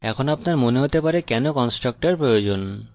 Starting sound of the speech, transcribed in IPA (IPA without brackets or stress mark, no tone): ɛ